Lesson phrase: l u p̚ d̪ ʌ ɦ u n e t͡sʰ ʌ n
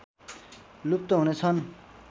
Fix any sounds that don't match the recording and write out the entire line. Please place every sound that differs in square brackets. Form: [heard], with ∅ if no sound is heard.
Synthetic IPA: l u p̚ [t̪] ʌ ɦ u n e t͡sʰ ʌ n